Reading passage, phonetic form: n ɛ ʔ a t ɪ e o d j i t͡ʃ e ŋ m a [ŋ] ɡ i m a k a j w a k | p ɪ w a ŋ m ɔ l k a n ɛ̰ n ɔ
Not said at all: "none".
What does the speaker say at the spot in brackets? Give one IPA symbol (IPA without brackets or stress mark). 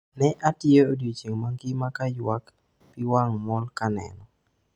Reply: ŋ